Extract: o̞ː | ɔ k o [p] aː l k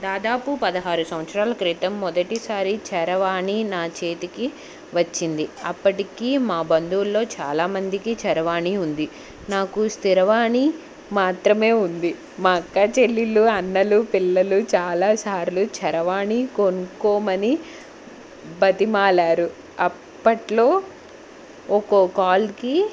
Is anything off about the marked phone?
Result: yes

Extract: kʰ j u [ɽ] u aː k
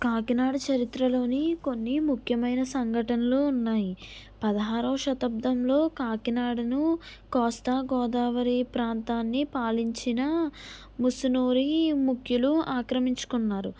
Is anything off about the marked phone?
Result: yes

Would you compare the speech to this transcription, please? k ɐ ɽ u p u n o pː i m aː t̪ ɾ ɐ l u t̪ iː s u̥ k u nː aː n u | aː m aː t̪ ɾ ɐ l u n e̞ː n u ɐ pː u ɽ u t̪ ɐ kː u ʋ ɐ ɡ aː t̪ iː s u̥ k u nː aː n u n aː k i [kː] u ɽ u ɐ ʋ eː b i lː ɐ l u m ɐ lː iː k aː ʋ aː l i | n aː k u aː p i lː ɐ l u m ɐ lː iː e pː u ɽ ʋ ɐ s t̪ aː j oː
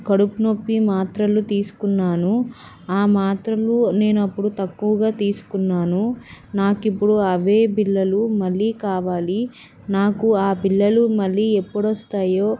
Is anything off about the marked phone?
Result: yes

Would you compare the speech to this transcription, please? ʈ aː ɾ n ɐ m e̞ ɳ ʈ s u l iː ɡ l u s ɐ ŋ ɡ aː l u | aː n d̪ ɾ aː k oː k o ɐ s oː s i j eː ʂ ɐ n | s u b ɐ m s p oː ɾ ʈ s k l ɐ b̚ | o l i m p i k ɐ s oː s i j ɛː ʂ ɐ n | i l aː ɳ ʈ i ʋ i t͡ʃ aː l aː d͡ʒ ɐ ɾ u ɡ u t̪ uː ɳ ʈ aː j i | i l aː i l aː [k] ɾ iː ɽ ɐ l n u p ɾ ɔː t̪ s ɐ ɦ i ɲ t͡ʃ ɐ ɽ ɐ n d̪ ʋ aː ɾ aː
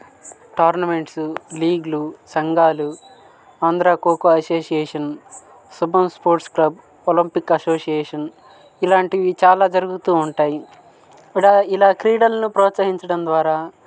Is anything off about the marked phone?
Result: no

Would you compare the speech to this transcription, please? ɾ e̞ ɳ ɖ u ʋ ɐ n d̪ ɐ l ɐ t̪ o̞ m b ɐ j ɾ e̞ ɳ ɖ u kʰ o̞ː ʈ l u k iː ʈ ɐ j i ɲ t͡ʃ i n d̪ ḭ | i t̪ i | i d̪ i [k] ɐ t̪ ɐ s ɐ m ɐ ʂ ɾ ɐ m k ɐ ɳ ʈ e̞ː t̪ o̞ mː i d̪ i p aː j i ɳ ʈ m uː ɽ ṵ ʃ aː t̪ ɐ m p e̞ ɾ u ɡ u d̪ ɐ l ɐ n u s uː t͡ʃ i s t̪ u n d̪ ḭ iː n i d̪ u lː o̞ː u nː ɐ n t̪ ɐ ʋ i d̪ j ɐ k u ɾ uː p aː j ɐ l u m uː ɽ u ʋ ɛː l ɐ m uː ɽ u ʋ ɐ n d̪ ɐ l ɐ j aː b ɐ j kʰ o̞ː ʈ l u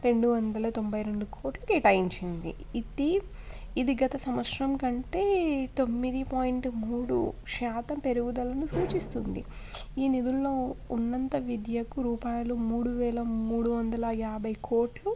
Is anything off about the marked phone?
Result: yes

